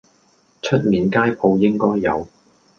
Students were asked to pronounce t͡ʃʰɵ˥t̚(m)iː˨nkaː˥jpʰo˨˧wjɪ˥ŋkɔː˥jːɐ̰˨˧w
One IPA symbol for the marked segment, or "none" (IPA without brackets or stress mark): m